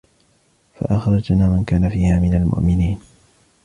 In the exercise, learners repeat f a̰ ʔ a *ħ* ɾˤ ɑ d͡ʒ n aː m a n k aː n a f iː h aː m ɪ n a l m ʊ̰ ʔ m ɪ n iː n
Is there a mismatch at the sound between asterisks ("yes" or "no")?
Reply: yes